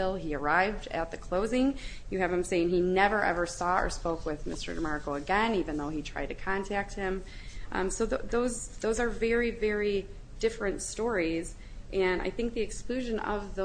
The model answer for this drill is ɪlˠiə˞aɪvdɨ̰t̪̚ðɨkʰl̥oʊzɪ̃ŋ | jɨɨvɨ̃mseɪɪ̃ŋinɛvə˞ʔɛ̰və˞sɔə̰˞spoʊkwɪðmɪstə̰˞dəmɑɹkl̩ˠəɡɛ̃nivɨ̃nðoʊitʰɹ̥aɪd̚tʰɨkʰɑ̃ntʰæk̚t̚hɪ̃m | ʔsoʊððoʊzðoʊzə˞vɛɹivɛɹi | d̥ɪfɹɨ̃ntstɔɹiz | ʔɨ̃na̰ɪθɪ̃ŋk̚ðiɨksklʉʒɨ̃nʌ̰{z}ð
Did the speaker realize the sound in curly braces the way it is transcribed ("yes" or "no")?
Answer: no